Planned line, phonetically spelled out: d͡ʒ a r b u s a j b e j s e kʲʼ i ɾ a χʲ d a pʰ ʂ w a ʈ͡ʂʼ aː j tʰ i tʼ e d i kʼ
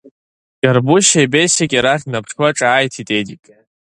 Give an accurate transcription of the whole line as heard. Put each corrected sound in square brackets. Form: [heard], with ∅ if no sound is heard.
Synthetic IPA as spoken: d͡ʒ a r b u [ʃ] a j b e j s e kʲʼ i ɾ a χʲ [n] a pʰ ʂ w a ʈ͡ʂʼ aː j tʰ i tʼ e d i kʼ